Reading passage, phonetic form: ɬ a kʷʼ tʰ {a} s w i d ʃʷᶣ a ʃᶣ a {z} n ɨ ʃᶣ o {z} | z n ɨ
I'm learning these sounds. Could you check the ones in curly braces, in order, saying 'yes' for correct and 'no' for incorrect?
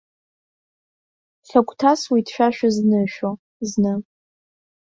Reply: yes, yes, no

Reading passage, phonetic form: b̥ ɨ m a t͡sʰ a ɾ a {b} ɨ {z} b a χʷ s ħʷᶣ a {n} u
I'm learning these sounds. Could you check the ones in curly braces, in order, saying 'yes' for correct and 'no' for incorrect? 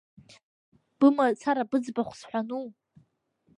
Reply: yes, no, yes

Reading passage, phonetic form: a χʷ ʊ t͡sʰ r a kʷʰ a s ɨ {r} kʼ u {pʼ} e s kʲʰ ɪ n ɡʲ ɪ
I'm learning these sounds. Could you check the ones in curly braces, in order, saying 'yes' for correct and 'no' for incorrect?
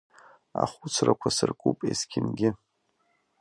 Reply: yes, yes

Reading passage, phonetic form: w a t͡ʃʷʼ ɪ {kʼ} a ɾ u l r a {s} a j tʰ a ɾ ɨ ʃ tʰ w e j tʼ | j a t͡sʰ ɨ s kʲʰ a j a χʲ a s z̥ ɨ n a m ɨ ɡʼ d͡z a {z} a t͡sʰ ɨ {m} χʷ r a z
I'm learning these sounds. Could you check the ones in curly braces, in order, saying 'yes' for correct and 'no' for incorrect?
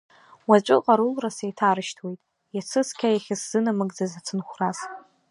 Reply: no, yes, yes, no

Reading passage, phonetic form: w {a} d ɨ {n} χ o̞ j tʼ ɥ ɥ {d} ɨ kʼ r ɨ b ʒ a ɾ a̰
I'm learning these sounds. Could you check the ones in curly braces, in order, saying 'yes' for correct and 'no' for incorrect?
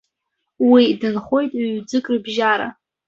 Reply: no, yes, no

